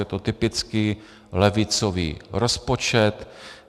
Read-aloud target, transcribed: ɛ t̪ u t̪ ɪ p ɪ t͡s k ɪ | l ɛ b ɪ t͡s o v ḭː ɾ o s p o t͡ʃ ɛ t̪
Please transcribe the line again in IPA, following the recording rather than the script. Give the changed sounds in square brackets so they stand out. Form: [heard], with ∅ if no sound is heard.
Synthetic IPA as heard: ɛ t̪ [o] t̪ ɪ p ɪ t͡s k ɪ | l ɛ [v] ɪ t͡s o v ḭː ɾ o s p o t͡ʃ ɛ t̪